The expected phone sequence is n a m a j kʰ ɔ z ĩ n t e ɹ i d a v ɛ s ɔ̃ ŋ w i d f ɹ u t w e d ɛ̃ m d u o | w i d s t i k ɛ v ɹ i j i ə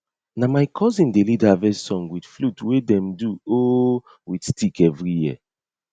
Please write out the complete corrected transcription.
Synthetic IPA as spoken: n a m a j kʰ ɔ z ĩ n d e l i d a v ɛ s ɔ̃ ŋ w i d f l u t w e d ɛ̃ m d u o | w i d s t i k ɛ v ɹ i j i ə